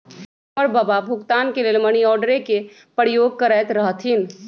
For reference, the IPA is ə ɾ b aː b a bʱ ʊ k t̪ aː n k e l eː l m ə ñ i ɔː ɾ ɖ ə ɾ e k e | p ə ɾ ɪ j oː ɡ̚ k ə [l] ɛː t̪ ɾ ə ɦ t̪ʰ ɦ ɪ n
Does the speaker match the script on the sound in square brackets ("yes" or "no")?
no